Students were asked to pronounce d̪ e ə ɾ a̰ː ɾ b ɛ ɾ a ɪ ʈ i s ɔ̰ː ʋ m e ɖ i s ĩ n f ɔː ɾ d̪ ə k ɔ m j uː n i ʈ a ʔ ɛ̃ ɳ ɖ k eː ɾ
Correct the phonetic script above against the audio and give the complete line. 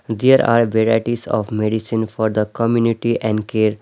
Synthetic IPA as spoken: d̪ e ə ɾ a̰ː ɾ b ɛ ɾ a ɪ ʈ i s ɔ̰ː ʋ m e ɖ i s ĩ n f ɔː ɾ d̪ ə k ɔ m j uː n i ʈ i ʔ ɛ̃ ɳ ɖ k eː ɾ

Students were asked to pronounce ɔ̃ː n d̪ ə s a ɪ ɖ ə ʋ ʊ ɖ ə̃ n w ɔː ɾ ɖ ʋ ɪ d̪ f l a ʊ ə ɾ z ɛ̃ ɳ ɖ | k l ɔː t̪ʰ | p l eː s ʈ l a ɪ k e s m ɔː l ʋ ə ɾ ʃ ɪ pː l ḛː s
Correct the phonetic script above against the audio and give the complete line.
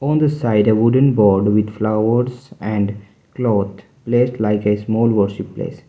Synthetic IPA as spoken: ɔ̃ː n d̪ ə s a ɪ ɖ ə ʋ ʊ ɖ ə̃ n b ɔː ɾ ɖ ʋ ɪ d̪ f l a ʊ ə ɾ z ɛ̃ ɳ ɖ | k l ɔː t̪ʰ | p l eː s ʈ l a ɪ k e s m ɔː l ʋ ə ɾ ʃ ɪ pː l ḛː s

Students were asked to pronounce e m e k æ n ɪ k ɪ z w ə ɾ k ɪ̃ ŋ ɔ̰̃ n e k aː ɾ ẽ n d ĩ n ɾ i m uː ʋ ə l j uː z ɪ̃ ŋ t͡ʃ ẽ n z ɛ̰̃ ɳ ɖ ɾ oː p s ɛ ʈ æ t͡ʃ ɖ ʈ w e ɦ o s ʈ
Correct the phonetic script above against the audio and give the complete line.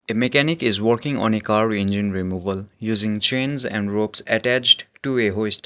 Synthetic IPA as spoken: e m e k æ n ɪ k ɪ z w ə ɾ k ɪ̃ ŋ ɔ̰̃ n e k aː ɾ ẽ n d͡ʒ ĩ n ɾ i m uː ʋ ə l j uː z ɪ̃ ŋ t͡ʃ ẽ n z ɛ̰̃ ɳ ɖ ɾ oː p s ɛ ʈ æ t͡ʃ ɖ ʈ u e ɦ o s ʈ

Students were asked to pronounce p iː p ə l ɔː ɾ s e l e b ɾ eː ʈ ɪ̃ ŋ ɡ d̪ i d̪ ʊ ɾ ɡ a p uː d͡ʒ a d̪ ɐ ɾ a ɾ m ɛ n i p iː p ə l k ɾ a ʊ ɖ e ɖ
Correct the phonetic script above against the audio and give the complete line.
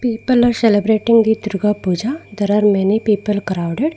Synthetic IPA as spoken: p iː p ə l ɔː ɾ s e l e b ɾ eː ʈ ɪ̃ ŋ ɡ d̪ i d̪ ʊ ɾ ɡ a p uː d͡ʒ a d̪ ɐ ɾ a ɾ m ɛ n i p iː p ə l k ɾ a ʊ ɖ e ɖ

